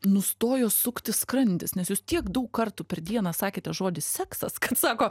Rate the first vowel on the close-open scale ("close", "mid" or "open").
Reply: close